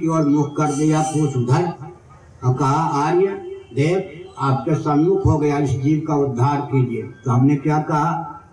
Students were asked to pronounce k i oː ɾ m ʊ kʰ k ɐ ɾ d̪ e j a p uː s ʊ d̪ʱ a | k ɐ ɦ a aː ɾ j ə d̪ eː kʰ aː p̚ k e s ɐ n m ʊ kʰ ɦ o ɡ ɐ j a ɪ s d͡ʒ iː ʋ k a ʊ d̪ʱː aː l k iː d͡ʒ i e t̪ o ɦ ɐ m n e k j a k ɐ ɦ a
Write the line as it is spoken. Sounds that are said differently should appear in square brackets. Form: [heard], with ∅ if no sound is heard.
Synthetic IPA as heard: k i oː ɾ m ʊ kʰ k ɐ ɾ d̪ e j a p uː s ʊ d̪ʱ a | k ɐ ɦ a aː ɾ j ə d̪ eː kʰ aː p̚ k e s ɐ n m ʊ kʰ ɦ o ɡ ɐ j a ɪ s d͡ʒ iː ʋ k a ʊ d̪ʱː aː [ɾ] k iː d͡ʒ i e t̪ o ɦ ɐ m n e k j a k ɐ ɦ a